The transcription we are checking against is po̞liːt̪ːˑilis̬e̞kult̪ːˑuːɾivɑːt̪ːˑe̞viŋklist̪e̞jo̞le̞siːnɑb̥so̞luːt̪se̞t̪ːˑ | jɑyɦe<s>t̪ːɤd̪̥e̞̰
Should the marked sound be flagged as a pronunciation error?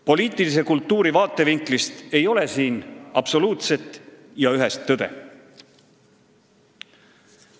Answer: no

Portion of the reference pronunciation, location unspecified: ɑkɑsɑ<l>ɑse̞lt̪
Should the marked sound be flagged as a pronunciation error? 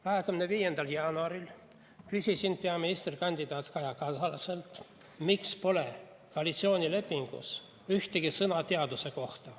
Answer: no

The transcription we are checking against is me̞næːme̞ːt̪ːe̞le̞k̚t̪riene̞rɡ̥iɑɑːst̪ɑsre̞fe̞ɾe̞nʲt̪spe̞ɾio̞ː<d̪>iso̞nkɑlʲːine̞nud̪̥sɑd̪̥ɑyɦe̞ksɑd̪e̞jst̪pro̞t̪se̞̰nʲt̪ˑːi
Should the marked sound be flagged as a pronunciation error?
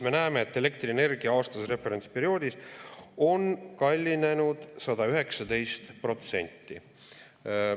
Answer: no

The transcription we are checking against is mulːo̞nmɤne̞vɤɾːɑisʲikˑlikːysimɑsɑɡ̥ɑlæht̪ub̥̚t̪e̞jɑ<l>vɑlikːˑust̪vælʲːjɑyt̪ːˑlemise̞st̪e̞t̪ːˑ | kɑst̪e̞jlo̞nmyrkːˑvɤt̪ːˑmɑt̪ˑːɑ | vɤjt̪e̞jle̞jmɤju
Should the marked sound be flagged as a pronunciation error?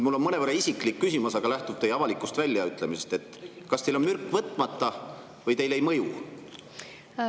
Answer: yes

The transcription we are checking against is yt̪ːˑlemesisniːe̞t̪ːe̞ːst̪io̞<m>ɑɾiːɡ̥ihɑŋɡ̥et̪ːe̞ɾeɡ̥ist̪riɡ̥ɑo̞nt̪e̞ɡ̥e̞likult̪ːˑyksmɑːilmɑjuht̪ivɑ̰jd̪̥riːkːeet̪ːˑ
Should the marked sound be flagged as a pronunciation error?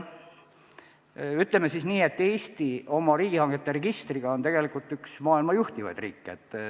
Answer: no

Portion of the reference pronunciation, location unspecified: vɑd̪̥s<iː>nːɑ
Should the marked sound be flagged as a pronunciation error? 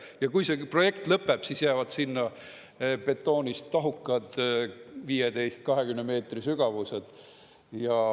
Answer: yes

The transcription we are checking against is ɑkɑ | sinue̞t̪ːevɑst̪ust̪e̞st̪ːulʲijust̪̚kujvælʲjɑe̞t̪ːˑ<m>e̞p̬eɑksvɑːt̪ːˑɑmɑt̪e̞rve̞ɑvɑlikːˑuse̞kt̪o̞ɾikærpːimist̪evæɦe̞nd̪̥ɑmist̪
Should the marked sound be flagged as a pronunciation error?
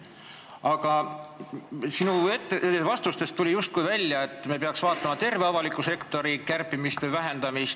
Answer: no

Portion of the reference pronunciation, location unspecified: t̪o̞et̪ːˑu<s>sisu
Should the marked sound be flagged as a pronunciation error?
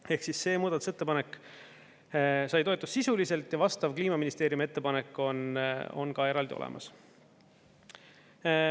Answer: no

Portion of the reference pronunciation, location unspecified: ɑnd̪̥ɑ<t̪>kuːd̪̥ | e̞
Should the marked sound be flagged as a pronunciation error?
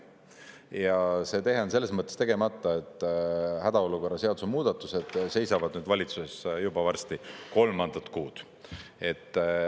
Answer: no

